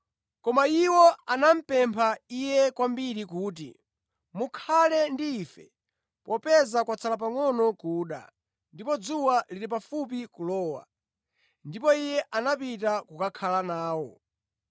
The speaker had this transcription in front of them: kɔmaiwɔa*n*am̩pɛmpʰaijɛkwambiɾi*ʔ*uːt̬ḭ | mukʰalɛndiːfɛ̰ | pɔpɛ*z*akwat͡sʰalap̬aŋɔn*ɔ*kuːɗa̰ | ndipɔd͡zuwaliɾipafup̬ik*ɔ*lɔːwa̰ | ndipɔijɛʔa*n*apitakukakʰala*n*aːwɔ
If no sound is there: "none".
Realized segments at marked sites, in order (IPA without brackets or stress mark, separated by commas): n, k, z, ɔ, u, n, n